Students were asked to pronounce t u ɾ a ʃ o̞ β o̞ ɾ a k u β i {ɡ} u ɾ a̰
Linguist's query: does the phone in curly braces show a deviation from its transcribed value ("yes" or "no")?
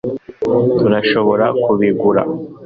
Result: no